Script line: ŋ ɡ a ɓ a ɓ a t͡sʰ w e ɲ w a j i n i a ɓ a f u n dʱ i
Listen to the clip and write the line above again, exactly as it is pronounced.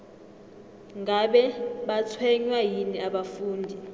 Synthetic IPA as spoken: ŋ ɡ a ɓ ɛ ɓ a t͡sʰ w ɛ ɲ w a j i n i a ɓ a f uː n dʱ i